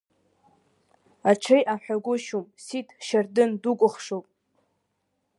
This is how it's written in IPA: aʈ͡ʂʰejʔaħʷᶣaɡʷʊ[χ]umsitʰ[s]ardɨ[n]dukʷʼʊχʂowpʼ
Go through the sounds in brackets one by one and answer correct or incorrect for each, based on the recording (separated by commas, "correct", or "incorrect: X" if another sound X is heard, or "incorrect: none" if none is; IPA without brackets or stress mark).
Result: incorrect: ʃ, incorrect: ʃ, correct